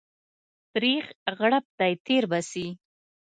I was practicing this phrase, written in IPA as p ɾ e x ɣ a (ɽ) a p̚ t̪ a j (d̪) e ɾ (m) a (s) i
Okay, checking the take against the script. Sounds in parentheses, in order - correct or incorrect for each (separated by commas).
correct, incorrect, incorrect, correct